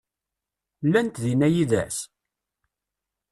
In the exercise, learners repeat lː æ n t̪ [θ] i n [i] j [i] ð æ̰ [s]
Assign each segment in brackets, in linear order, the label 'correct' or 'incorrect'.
incorrect, incorrect, correct, correct

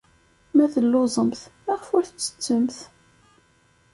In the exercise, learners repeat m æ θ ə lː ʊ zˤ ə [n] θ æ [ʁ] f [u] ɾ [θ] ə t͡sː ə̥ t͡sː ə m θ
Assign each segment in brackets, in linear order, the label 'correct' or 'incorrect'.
incorrect, correct, incorrect, correct

